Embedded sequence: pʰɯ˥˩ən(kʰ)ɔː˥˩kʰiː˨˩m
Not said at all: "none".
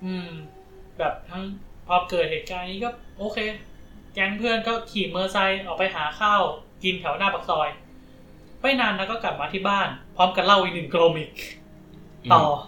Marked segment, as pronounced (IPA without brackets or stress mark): k